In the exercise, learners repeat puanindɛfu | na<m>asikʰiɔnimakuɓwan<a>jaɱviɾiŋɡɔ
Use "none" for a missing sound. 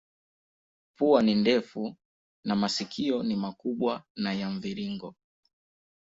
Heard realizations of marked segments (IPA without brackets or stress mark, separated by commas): m, a